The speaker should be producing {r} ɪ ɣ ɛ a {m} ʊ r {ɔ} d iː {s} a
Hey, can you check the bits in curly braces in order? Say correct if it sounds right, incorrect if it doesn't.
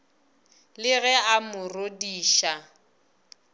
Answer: incorrect: l, correct, incorrect: o, incorrect: ʃ

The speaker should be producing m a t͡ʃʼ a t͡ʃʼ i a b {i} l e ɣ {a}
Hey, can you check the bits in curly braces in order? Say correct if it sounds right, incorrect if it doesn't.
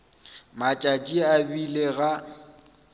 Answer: correct, correct

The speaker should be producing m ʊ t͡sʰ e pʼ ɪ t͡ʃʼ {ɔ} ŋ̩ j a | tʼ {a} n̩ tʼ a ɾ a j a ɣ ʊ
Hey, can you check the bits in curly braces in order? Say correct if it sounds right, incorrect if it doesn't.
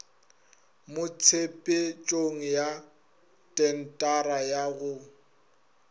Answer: incorrect: o, incorrect: ɛ

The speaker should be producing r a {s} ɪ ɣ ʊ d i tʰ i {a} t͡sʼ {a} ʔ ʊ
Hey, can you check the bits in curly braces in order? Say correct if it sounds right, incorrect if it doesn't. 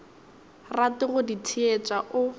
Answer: incorrect: t, incorrect: e, correct

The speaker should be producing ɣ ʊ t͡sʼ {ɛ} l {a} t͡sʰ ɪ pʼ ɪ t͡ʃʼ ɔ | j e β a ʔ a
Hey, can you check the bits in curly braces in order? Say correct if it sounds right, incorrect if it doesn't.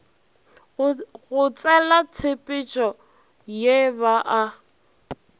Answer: correct, correct

